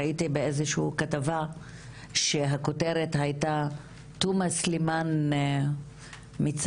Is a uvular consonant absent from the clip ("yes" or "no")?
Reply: yes